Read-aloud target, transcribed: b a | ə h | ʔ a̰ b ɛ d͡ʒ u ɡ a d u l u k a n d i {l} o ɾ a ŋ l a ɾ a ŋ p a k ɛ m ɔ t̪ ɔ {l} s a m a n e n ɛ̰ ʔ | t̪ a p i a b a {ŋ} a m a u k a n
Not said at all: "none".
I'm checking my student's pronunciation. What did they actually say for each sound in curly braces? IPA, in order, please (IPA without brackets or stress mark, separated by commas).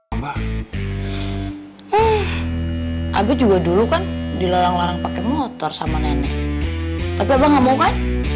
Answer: l, r, ŋ